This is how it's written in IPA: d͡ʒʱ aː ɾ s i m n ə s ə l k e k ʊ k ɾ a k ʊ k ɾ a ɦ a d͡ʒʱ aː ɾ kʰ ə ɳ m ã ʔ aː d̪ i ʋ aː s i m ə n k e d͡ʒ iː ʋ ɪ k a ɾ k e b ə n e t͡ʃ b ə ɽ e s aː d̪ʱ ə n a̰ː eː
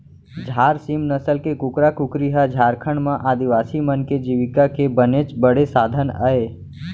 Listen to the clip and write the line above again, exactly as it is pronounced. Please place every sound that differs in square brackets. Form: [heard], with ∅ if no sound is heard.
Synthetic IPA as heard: d͡ʒʱ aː ɾ s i m n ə s ə l k e k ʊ k ɾ a k ʊ k ɾ [i] ɦ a d͡ʒʱ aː ɾ kʰ ə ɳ m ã ʔ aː d̪ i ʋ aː s i m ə n k e d͡ʒ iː ʋ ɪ k a [∅] k e b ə n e t͡ʃ b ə ɽ e s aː d̪ʱ ə n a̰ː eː